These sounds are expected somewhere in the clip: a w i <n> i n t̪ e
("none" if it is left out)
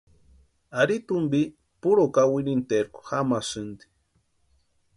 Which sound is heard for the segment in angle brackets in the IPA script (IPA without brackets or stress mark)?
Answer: n